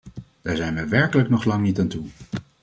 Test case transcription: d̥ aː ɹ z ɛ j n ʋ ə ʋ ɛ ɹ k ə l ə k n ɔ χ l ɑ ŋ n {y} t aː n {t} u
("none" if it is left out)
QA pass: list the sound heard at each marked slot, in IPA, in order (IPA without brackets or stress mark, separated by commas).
i, t